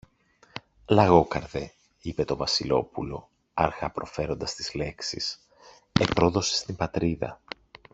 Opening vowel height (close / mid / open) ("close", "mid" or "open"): open